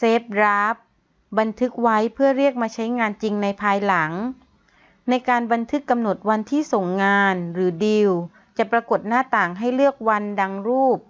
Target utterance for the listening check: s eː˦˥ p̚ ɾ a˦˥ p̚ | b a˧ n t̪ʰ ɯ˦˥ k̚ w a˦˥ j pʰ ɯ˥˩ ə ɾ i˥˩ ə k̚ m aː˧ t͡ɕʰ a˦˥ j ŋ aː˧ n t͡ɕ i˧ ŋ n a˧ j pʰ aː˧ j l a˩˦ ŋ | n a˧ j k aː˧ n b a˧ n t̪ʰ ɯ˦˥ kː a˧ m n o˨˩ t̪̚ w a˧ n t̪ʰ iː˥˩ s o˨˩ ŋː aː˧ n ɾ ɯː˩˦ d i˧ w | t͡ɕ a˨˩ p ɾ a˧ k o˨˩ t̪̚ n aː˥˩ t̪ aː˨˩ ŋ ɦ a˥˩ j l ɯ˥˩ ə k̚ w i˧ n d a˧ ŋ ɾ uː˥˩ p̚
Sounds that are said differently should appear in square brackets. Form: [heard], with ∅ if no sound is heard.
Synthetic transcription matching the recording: s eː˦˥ p̚ ɾ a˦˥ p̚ | b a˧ n t̪ʰ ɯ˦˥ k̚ w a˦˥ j pʰ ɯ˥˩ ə ɾ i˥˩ ə k̚ m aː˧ t͡ɕʰ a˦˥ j ŋ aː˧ n t͡ɕ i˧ ŋ n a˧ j pʰ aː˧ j l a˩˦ ŋ | n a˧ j k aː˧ n b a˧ n t̪ʰ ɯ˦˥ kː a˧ m n o˨˩ t̪̚ w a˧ n t̪ʰ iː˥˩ s o˨˩ ŋː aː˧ n ɾ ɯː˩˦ d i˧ w | t͡ɕ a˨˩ p ɾ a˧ k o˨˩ t̪̚ n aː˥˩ t̪ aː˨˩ ŋ ɦ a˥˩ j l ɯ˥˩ ə k̚ w [a˧] n d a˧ ŋ ɾ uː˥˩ p̚